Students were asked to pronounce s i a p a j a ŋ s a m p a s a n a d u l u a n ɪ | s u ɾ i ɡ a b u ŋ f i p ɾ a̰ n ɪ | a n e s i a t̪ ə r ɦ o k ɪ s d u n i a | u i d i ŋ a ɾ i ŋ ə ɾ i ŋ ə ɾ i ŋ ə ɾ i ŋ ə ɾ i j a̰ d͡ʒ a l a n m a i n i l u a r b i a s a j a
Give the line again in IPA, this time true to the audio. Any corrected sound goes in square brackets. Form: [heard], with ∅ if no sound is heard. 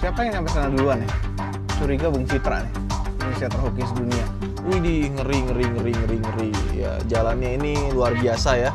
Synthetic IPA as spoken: s i a p a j a ŋ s a m p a s a n a d u l u a n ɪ | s u ɾ i ɡ a b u ŋ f i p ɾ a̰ n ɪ | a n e s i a t̪ ə r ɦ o k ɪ s d u n i a | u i d i ŋ [ə] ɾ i ŋ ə ɾ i ŋ ə ɾ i ŋ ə ɾ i ŋ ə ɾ i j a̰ d͡ʒ a l a n [ɲ] a i n i l u a r b i a s a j a